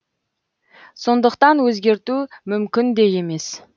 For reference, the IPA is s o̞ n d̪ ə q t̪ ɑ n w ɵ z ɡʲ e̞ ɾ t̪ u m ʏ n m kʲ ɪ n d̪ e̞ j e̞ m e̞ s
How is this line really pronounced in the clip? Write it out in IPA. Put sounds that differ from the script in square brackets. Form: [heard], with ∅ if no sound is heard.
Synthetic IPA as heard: s o̞ n d̪ ə q t̪ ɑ n w ɵ z ɡʲ e̞ ɾ t̪ u m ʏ [∅] m kʲ ɪ n d̪ e̞ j e̞ m e̞ s